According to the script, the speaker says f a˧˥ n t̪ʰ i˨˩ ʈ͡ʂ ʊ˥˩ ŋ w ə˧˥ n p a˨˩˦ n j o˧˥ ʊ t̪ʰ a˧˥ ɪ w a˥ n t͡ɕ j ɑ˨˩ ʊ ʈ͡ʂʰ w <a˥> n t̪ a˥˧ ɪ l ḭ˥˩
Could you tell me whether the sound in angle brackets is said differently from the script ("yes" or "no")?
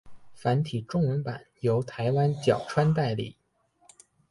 no